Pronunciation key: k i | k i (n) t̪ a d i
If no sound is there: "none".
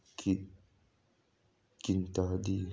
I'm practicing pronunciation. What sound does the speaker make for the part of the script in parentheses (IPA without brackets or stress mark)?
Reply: n